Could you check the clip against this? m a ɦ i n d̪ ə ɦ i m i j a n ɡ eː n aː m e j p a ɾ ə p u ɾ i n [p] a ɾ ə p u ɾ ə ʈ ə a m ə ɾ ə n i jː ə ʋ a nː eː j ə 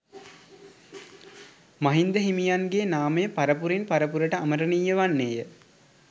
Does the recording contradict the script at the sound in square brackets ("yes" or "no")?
no